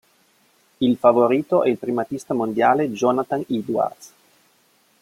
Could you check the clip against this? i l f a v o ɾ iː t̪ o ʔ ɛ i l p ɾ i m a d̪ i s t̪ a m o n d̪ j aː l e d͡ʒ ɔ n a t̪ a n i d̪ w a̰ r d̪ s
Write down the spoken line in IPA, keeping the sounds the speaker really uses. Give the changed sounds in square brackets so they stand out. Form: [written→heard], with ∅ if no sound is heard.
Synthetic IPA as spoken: i l f a v o ɾ iː t̪ o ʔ ɛ i l p ɾ i m a [d̪→t̪] i s t̪ a m o n d̪ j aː l e d͡ʒ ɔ n a t̪ a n i d̪ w a̰ r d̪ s